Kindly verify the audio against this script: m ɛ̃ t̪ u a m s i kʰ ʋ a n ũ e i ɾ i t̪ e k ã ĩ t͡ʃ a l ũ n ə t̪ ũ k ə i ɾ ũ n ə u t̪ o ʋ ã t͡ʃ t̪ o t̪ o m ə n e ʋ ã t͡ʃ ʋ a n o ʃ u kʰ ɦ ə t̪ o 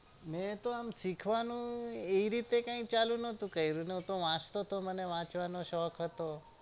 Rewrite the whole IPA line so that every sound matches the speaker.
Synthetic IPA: m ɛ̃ t̪ o a m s i kʰ ʋ a n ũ e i ɾ i t̪ e k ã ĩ t͡ʃ a l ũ n ə t̪ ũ k ə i ɾ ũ n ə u t̪ o ʋ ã t͡ʃ t̪ o t̪ o m ə n e ʋ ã t͡ʃ ʋ a n o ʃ ɔ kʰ ɦ ə t̪ o

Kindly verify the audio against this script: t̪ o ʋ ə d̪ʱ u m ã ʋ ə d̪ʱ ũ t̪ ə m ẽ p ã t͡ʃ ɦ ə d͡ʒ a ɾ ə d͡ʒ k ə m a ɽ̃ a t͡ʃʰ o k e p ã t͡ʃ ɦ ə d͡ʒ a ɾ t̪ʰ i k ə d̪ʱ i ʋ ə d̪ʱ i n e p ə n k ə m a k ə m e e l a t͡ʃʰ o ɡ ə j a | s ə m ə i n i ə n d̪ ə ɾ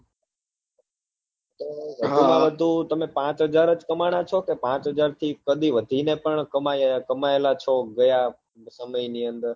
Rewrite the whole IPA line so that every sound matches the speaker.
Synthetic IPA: t̪ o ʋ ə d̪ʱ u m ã ʋ ə d̪ʱ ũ t̪ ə m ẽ p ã t͡ʃ ɦ ə d͡ʒ a ɾ ə d͡ʒ k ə m a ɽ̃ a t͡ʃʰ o k e p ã t͡ʃ ɦ ə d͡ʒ a ɾ t̪ʰ i k ə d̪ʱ i ʋ ə d̪ʱ i n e p ə ɳ k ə m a k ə m a e l a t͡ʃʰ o ɡ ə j a | s ə m ə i n i ə n d̪ ə ɾ

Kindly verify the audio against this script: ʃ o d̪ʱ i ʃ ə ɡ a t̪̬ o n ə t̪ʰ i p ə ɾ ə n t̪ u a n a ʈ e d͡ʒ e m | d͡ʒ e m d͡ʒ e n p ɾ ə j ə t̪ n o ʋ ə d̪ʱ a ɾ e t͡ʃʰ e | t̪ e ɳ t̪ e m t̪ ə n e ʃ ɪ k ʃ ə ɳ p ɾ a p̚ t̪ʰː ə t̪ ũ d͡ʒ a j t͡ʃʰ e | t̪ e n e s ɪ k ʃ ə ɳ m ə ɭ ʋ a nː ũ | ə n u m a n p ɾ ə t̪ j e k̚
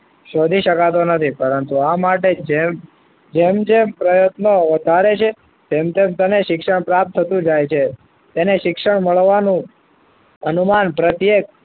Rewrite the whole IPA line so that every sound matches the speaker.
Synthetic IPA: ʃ o d̪ʱ i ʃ ə k a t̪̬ o n ə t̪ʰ i p ə ɾ ə n t̪ u a m a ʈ e d͡ʒ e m | d͡ʒ e m d͡ʒ e m p ɾ ə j ə t̪ n o ʋ ə d̪ʱ a ɾ e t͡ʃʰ e | t̪ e m t̪ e m t̪ ə n e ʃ ɪ k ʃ ə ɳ p ɾ a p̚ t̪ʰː ə t̪ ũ d͡ʒ a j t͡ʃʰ e | t̪ e n e ʃ ɪ k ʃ ə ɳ m ə ɭ ʋ a n ũ | ə n u m a n p ɾ ə t̪ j e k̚

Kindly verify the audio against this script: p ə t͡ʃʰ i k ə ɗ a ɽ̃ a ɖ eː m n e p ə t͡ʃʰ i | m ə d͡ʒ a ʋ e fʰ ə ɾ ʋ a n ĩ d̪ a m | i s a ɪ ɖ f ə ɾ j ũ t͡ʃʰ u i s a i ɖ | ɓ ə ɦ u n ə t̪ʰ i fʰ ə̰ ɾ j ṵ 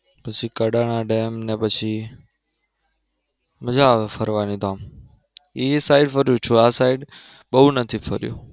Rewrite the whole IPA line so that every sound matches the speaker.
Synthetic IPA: p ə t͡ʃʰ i k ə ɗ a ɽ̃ a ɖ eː m n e p ə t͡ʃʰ i | m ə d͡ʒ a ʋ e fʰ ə ɾ ʋ a n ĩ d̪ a m | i s a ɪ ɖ f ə ɾ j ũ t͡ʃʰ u a s a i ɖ | ɓ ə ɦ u n ə t̪ʰ i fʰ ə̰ ɾ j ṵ

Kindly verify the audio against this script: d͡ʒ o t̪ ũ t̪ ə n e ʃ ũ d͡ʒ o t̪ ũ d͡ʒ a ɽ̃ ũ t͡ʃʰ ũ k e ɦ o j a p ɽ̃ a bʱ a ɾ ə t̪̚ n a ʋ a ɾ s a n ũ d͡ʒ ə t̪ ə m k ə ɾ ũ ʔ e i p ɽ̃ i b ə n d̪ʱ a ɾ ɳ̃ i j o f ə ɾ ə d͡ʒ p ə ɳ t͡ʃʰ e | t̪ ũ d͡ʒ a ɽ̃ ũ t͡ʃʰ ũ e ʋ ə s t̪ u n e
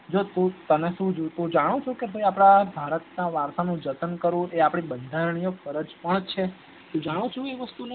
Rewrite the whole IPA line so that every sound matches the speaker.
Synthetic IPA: d͡ʒ o t̪ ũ t̪ ə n e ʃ ũ d͡ʒ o t̪ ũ d͡ʒ a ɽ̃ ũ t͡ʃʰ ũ k e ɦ o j a p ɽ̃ a bʱ a ɾ ə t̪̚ n a ʋ a ɾ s a n ũ d͡ʒ ə t̪ ə n k ə ɾ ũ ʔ e a p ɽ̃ i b ə n d̪ʱ a ɾ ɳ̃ i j o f ə ɾ ə d͡ʒ p ə ɳ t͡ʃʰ e | t̪ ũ d͡ʒ a ɽ̃ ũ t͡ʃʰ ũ e ʋ ə s t̪ u n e

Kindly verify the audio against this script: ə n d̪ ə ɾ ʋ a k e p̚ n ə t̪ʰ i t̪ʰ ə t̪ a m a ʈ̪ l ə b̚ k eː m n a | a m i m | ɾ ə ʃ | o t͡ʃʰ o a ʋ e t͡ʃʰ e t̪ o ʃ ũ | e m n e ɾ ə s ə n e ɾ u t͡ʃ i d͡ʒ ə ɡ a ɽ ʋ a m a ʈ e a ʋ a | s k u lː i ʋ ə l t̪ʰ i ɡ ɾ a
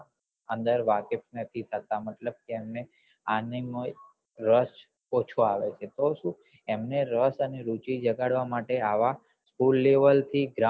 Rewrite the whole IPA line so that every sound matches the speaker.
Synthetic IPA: ə n d̪ ə ɾ ʋ a k e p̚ n ə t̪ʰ i t̪ʰ ə t̪ a m ə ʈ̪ l ə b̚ k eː m n e | a n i m | ɾ ə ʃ | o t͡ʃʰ o a ʋ e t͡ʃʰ e t̪ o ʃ ũ | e m n e ɾ ə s ə n e ɾ u t͡ʃ i d͡ʒ ə ɡ a ɽ ʋ a m a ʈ e a ʋ a | s k u lː e ʋ ə l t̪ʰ i ɡ ɾ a

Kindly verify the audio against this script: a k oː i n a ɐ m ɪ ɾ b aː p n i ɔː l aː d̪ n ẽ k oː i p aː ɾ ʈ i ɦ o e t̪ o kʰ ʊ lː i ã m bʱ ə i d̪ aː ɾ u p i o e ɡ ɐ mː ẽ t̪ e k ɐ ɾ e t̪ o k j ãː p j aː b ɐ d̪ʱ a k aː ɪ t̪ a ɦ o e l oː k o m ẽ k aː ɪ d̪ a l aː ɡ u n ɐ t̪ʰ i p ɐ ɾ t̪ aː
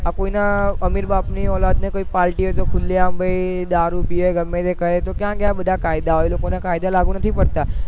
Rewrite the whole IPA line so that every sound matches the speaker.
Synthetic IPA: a k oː i n a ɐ m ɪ ɾ b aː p n i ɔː l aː d̪ n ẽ k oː i p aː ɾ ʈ i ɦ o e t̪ o kʰ ʊ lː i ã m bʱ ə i d̪ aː ɾ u p i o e ɡ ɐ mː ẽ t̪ e k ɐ ɾ e t̪ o k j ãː k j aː b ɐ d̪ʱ a k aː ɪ d̪ a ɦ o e l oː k o n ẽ k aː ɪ d̪ a l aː ɡ u n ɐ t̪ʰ i p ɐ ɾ t̪ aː

